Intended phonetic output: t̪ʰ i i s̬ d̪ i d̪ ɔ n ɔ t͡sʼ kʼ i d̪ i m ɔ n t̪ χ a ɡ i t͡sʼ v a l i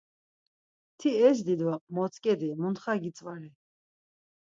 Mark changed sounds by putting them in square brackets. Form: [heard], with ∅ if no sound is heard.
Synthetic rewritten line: t̪ʰ i [ɛ] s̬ d̪ i d̪ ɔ [m] ɔ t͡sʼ kʼ [ɛ] d̪ i m [u] n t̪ χ a ɡ i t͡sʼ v a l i